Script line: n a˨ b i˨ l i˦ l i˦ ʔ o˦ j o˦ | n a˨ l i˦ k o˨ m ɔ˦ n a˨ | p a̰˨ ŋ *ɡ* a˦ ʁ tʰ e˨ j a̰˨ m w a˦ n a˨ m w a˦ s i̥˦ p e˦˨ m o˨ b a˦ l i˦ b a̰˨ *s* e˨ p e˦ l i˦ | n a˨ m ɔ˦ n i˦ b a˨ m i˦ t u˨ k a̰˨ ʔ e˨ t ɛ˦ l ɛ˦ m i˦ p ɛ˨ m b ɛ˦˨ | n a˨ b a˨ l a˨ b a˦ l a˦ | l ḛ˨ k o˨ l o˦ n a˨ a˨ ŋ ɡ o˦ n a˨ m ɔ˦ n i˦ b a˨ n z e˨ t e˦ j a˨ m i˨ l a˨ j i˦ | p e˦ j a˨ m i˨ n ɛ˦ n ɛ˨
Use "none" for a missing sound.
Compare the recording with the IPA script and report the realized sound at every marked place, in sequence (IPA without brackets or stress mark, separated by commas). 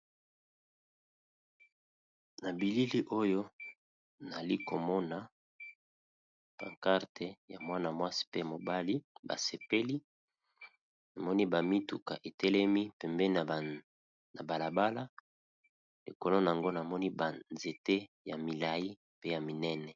k, s